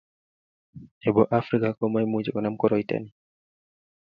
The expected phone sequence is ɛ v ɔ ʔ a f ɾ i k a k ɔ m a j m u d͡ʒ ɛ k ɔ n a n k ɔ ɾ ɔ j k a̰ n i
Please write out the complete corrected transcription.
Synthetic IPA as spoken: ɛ b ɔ ʔ a f ɾ i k a k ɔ m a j m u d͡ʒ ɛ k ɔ n a m k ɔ ɾ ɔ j t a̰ n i